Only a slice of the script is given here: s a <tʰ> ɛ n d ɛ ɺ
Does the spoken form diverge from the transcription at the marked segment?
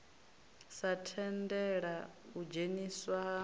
no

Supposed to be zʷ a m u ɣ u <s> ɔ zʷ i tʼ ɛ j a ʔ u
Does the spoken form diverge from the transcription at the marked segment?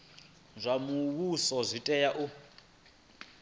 no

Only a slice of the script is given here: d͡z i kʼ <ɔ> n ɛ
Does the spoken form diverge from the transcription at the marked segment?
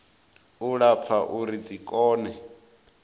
yes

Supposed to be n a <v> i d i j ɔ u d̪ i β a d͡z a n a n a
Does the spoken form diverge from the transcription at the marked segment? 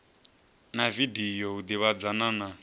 no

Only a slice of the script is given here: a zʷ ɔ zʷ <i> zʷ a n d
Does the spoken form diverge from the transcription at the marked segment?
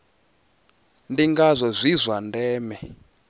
no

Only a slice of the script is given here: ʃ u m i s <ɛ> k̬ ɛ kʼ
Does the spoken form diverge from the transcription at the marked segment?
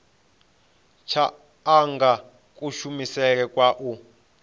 no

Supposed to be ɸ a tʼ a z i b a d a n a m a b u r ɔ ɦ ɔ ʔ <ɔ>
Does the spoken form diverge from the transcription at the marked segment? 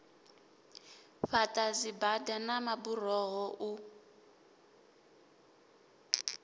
yes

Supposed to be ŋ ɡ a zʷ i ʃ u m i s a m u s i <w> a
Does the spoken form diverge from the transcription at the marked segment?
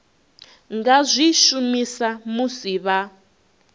yes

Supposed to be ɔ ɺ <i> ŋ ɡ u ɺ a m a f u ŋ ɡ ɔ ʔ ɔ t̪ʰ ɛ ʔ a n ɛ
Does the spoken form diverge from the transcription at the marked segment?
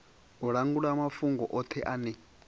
yes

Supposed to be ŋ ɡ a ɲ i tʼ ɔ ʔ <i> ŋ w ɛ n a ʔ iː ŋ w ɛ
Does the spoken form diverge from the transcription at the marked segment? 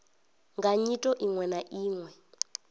no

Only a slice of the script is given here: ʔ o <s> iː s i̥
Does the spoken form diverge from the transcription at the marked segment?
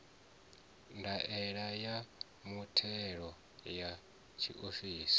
yes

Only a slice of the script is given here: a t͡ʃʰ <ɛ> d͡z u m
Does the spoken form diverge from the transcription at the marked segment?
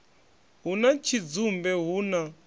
yes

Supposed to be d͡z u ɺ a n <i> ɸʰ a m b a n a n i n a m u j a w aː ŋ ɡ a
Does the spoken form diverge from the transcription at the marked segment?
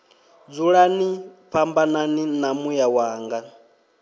no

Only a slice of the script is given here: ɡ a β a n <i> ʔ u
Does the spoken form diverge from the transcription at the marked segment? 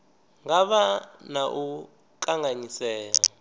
yes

